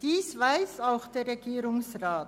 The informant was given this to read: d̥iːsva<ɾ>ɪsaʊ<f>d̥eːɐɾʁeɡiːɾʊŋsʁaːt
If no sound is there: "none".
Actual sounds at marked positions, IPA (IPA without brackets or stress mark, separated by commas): none, x